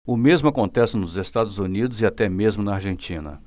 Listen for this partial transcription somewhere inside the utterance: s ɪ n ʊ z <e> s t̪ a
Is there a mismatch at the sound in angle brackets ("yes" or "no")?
no